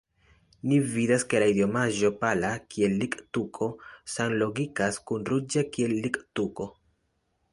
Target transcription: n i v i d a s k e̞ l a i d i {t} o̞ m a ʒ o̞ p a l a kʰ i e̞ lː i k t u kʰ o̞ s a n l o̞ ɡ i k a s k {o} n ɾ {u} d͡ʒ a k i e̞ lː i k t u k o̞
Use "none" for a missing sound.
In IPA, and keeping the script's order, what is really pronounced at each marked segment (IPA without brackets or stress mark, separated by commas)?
none, u, u